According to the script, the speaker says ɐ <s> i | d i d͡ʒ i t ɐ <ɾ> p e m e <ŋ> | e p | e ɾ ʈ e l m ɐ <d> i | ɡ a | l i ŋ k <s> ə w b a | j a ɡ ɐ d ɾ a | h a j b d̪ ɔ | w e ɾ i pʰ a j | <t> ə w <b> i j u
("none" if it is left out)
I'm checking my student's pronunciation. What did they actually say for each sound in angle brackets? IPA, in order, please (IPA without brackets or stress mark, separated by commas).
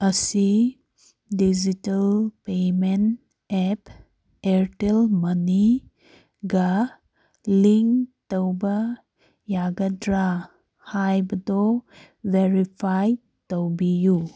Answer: s, l, n, n, t, t, b